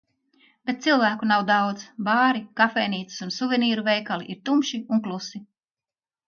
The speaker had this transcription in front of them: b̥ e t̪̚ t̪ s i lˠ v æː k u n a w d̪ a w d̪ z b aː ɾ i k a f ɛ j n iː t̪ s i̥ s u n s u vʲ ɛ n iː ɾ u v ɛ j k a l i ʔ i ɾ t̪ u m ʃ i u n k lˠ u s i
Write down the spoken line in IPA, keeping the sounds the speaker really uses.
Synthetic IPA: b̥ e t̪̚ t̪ s i lˠ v æː k u n a w d̪ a w d̪ z b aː ɾ i k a f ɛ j n iː t̪ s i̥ s u n s u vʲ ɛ n iː ɾ u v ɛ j k a l i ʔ i ɾ t̪ u m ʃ i u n k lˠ u s i